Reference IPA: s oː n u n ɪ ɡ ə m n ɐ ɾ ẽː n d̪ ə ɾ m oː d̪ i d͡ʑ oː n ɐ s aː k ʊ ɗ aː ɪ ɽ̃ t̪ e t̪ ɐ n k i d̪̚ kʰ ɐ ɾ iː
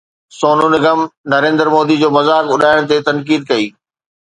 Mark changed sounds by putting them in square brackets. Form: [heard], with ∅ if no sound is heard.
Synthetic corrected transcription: s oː n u n ɪ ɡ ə m n ɐ ɾ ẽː n d̪ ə ɾ m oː d̪ i d͡ʑ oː [m] ɐ [z] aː k ʊ ɗ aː ɪ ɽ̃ t̪ e t̪ ɐ n k [iː] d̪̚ [k] ɐ [∅] iː